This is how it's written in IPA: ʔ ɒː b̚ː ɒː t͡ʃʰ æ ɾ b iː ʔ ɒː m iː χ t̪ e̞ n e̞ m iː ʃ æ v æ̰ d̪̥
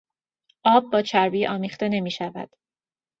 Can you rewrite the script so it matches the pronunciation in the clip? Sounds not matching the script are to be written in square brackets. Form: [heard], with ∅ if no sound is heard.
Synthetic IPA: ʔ ɒː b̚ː ɒː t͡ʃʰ æ ɾ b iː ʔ ɒː m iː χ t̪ e̞ n e̞ m iː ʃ æ v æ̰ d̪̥